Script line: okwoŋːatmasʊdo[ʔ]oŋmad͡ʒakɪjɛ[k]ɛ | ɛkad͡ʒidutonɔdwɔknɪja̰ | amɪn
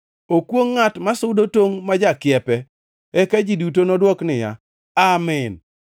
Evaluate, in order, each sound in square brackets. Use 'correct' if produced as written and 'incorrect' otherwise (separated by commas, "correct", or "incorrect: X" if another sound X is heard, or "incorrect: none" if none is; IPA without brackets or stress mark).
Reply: incorrect: t, incorrect: p